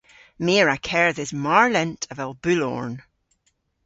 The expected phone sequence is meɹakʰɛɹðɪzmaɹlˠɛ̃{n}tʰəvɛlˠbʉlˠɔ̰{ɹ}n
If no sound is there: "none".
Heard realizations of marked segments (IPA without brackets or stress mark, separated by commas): n, ɹ